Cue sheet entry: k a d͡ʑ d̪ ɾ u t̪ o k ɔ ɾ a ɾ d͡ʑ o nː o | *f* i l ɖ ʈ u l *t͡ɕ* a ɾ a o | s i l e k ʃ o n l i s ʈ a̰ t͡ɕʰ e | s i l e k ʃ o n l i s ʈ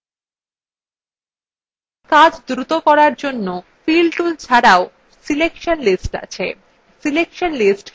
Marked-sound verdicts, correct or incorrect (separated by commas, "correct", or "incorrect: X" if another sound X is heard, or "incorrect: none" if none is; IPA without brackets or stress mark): correct, incorrect: t͡ɕʰ